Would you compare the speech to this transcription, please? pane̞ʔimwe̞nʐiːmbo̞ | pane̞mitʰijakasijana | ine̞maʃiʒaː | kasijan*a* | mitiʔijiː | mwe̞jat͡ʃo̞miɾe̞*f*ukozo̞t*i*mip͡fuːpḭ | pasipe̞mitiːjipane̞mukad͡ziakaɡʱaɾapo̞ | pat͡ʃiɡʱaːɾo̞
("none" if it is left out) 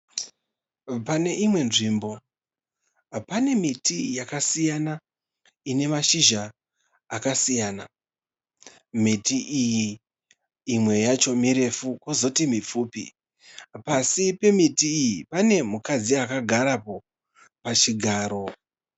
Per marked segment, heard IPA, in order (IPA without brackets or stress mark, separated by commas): a, f, i